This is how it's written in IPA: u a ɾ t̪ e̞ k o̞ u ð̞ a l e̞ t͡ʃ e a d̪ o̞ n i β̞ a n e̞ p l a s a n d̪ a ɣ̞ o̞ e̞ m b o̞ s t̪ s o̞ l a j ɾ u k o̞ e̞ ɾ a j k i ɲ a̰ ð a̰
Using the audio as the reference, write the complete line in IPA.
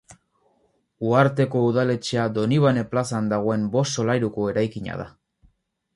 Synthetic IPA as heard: u a ɾ t̪ e̞ k o̞ u ð̞ a l e̞ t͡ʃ e a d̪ o̞ n i β̞ a n e̞ p l a s a n d̪ a ɣ̞ o̞ e̞ m b o̞ s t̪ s o̞ l a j ɾ u k o̞ e̞ ɾ a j k i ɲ a̰ ð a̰

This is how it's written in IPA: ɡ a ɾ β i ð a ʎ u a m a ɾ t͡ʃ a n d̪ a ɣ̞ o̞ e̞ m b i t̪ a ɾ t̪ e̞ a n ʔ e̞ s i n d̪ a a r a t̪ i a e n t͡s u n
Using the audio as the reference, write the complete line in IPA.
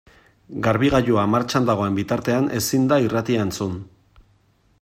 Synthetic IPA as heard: ɡ a ɾ β i ɣ a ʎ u a m a ɾ t͡ʃ a n d̪ a ɣ̞ o̞ e̞ m b i t̪ a ɾ t̪ e̞ a n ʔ e̞ s i n d̪ a i r a t̪ i a e n t͡s u n

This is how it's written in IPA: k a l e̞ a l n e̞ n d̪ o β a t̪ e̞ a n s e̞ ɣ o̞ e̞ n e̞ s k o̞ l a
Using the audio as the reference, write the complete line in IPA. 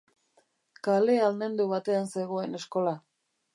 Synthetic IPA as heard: k a l e̞ a l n e̞ n d̪ u β a t̪ e̞ a n s e̞ ɣ o̞ e̞ n e̞ s k o̞ l a

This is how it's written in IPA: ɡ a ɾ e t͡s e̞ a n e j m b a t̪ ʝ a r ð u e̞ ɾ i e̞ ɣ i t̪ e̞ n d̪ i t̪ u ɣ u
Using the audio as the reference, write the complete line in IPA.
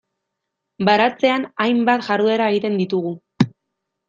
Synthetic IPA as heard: b a ɾ a t͡s e̞ a n a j m b a t̪ ʝ a r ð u e̞ ɾ a e̞ ɣ i t̪ e̞ n d̪ i t̪ u ɣ u

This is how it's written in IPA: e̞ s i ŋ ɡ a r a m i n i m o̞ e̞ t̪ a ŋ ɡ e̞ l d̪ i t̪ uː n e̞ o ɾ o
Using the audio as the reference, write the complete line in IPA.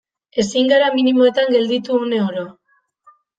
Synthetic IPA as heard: e̞ s i ŋ ɡ a ɾ a m i n i m o̞ e̞ t̪ a ŋ ɡ e̞ l d̪ i t̪ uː n e̞ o ɾ o

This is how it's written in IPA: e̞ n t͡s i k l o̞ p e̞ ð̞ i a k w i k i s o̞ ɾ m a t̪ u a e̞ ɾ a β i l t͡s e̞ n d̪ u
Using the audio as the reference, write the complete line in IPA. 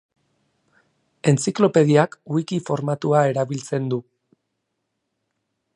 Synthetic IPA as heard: e̞ n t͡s i k l o̞ p e̞ ð̞ i a k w i k i f o̞ ɾ m a t̪ u a e̞ ɾ a β i l t͡s e̞ n d̪ u

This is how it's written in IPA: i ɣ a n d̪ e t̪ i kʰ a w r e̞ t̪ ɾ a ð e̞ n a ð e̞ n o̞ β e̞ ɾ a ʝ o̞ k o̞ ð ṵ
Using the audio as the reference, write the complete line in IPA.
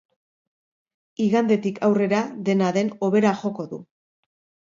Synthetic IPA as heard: i ɣ a n d̪ e t̪ i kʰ a w r e̞ ɾ a ð e̞ n a ð e̞ n o̞ β e̞ ɾ a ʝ o̞ k o̞ ð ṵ

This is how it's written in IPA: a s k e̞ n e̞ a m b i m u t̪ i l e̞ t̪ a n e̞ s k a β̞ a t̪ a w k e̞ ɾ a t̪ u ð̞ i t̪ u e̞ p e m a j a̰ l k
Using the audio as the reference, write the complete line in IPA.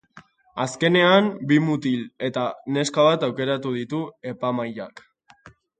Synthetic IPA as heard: a s k e̞ n e̞ a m b i m u t̪ i l e̞ t̪ a n e̞ s k a β̞ a t̪ a w k e̞ ɾ a t̪ u ð̞ i t̪ u e̞ p a m a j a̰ k

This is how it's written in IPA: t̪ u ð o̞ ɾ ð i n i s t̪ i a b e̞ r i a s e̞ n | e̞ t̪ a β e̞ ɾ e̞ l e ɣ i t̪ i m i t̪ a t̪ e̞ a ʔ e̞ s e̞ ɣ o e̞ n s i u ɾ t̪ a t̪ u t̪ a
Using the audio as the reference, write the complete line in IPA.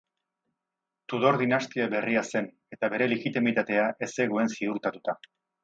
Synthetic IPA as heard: t̪ u ð o̞ ɾ ð i n a s t̪ i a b e̞ r i a s e̞ n | e̞ t̪ a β e̞ ɾ e̞ l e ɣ i t̪ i m i t̪ a t̪ e̞ a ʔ e̞ s e̞ ɣ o e̞ n s i u ɾ t̪ a t̪ u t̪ a

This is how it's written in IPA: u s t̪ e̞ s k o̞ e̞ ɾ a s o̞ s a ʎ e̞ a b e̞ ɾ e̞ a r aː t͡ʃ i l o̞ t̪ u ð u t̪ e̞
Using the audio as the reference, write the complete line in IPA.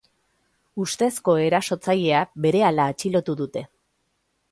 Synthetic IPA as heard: u s t̪ e̞ s k o̞ e̞ ɾ a s o̞ t͡s a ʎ e̞ a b e̞ ɾ e̞ a l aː t͡ʃ i l o̞ t̪ u ð u t̪ e̞

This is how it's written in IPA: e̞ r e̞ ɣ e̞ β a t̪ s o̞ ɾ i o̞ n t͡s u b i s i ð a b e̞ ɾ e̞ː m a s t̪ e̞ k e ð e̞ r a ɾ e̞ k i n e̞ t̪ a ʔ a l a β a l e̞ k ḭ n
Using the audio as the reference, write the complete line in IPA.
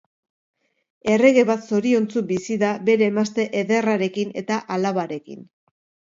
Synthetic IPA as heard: e̞ r e̞ ɣ e̞ β a t̪ s o̞ ɾ i o̞ n t͡s u b i s i ð a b e̞ ɾ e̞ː m a s t̪ e̞ ʔ e ð e̞ r a ɾ e̞ k i n e̞ t̪ a ʔ a l a β a ɾ e̞ k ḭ n

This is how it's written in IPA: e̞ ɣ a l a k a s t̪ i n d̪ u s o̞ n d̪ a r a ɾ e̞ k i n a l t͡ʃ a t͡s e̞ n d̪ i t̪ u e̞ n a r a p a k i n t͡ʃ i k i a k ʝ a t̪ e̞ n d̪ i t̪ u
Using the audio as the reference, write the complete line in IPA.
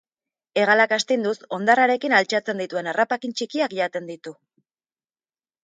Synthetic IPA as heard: e̞ ɣ a l a k a s t̪ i n d̪ u s o̞ n d̪ a r a ɾ e̞ k i n a l t͡ʃ a t͡s e̞ n d̪ i t̪ u e̞ n a r a p a k i n t͡ʃ i k i a k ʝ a t̪ e̞ n d̪ i t̪ u

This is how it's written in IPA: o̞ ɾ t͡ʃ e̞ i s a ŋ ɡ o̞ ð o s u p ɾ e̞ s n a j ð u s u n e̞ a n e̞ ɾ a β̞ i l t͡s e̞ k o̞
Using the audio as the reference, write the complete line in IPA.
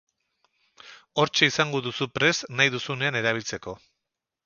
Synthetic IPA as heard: o̞ ɾ t͡ʃ e̞ i s a ŋ ɡ o̞ ð u s u p ɾ e̞ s n a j ð u s u n e̞ a n e̞ ɾ a β̞ i l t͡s e̞ k o̞

